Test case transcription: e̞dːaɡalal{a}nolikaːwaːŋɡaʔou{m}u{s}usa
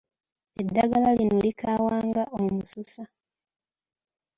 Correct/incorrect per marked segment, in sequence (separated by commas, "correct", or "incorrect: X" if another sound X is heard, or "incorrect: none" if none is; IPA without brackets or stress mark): incorrect: i, correct, correct